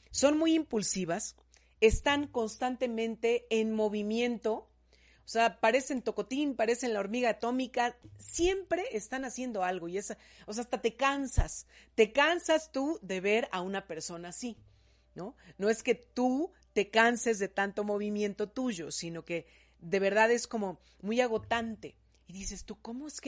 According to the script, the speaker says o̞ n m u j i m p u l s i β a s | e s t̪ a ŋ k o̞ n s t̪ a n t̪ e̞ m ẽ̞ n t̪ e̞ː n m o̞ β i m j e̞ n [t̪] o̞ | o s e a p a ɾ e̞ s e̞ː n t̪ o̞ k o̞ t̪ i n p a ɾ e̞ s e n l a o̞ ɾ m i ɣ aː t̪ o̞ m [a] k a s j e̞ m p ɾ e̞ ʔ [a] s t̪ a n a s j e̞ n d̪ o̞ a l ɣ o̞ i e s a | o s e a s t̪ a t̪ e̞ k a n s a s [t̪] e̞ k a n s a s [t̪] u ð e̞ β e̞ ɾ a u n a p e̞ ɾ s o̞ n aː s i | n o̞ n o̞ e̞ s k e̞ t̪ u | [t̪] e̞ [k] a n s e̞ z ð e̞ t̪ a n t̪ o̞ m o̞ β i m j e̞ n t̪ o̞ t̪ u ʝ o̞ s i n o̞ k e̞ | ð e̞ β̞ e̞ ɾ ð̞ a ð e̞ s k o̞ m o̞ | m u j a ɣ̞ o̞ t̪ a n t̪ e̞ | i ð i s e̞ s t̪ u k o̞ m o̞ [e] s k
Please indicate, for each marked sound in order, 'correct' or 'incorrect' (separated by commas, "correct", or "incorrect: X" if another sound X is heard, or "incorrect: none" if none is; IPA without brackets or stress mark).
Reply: correct, incorrect: i, incorrect: e, correct, correct, correct, correct, correct